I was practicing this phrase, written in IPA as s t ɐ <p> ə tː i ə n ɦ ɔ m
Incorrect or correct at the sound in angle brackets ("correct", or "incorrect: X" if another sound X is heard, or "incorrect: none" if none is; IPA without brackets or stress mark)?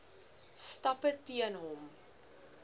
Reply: correct